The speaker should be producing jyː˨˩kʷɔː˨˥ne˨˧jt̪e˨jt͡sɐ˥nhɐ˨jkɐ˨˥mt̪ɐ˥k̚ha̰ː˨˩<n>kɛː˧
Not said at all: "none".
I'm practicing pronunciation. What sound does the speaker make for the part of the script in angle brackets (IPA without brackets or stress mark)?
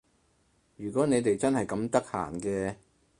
n